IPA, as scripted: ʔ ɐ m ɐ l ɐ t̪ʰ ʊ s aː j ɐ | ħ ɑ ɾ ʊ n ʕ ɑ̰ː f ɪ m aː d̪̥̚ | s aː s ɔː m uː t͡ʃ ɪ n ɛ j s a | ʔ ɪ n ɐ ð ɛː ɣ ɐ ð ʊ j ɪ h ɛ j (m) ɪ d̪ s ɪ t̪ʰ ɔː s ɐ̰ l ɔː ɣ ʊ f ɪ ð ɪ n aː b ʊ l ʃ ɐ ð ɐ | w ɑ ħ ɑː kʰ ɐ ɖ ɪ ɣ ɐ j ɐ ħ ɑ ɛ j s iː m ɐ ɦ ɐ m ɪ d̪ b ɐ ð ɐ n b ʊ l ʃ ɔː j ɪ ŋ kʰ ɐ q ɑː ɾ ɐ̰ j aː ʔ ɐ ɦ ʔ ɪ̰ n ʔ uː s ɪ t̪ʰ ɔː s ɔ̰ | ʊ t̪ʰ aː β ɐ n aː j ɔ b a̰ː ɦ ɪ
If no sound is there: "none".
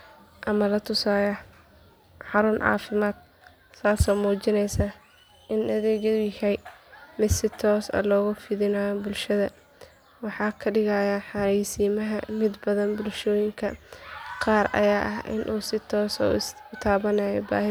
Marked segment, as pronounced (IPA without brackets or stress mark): m